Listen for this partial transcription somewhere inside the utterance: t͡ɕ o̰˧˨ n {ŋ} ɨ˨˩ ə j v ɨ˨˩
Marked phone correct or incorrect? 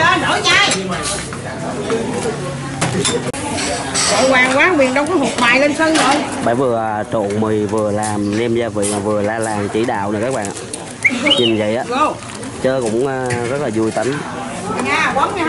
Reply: incorrect